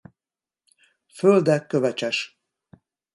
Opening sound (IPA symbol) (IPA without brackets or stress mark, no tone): f